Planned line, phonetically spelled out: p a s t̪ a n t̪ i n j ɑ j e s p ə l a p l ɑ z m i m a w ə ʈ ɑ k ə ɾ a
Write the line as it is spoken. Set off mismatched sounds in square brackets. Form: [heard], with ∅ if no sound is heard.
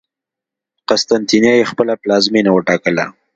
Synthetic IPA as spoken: [q] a s t̪ a n t̪ i n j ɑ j e [x] p ə l a p l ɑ z m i [n] a w ə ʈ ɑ k ə [l] a